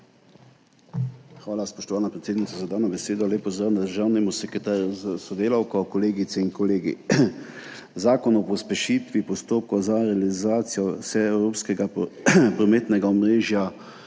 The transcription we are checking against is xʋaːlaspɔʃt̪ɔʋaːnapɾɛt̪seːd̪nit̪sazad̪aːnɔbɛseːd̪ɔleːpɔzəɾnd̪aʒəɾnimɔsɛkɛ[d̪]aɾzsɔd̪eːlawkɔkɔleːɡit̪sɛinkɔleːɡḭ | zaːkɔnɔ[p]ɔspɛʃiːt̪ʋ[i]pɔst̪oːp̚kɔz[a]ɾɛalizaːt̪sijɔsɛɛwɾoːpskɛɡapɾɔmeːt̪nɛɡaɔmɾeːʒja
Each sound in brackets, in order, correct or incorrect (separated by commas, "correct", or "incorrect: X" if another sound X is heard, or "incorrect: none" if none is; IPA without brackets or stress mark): incorrect: t̪, correct, correct, correct